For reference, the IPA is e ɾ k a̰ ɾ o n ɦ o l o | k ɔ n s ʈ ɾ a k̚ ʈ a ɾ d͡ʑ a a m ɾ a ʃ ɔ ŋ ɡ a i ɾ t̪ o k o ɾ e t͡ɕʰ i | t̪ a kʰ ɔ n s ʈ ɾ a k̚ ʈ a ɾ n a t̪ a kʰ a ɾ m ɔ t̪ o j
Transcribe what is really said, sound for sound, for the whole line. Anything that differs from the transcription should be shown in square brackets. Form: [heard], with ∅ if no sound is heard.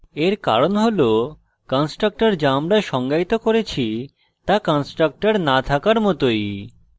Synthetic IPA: e ɾ k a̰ ɾ o n ɦ o l o | k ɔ n s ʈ ɾ a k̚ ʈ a ɾ d͡ʑ a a m ɾ a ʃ ɔ ŋ ɡ a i [∅] t̪ o k o ɾ e t͡ɕʰ i | t̪ a [k] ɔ n s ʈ ɾ a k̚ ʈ a ɾ n a [t̪ʰ] a [k] a ɾ m ɔ t̪ o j